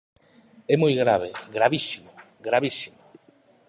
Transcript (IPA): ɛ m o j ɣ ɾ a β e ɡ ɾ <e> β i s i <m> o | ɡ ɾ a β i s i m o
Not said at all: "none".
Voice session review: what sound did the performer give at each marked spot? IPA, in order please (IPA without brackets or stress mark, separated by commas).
a, m